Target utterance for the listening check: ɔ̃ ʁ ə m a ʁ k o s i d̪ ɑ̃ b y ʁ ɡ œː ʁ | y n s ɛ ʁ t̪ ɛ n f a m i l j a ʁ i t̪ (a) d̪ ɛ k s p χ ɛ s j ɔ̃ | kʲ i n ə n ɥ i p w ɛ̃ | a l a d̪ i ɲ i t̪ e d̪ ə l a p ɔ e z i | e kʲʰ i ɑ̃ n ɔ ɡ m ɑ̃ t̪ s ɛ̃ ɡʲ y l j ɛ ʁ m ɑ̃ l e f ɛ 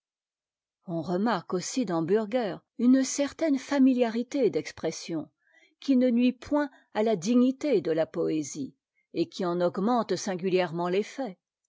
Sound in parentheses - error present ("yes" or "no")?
yes